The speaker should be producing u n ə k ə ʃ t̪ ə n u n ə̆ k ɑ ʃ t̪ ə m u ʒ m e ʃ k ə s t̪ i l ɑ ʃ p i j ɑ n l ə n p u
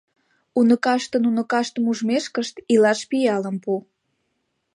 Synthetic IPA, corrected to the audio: u n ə k ɑ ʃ t̪ ə n u n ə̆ k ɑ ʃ t̪ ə m u ʒ m e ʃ k ə ʃ t̪ i l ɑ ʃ p i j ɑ l ə m p u